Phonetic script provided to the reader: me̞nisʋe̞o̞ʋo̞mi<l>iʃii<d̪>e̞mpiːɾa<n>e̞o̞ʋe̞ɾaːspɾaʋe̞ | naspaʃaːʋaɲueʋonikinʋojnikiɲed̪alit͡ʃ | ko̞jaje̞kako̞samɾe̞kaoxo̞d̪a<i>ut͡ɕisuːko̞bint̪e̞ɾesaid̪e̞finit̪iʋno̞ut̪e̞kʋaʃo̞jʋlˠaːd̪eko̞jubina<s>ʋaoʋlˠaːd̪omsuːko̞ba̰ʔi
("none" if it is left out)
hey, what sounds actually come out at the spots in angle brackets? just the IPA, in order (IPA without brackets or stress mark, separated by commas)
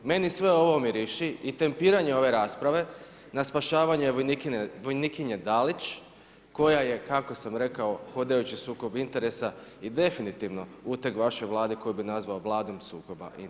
ɾ, t̪, ɲ, j, z